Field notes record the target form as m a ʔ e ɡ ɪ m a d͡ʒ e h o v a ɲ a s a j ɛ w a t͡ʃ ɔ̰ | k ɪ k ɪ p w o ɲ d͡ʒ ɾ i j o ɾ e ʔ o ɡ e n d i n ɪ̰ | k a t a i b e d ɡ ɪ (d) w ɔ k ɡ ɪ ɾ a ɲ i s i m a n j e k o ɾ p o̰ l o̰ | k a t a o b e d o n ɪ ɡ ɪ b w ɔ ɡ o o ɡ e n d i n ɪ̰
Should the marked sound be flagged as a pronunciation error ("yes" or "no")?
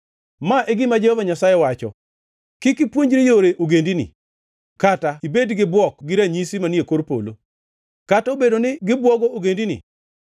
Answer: yes